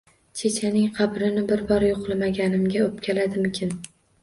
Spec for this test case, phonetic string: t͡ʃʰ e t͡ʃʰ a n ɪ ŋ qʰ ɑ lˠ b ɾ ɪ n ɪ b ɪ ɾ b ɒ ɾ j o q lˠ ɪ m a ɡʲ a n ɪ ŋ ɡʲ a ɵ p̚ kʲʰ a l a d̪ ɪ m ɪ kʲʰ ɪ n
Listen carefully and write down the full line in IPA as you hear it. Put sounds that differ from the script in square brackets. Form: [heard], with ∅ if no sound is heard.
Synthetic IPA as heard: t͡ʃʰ e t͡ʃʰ a n ɪ ŋ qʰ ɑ [∅] b ɾ ɪ n ɪ b ɪ ɾ b ɒ ɾ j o q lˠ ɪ m a ɡʲ a n ɪ [m] ɡʲ a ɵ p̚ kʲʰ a l a d̪ ɪ m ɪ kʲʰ ɪ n